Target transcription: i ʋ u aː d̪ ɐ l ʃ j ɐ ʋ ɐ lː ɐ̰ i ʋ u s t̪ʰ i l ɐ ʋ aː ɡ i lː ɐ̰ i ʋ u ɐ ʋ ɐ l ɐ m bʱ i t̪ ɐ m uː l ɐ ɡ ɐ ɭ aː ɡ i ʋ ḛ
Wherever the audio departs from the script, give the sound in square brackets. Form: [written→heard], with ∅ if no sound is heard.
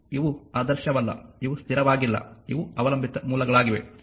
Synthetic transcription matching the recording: i ʋ u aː d̪ ɐ [l→ɾ] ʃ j ɐ ʋ ɐ lː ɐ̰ i ʋ u s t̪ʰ i [l→ɾ] ɐ ʋ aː ɡ i lː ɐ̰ i ʋ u ɐ ʋ ɐ l ɐ m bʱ i t̪ ɐ m uː l ɐ ɡ ɐ ɭ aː ɡ i ʋ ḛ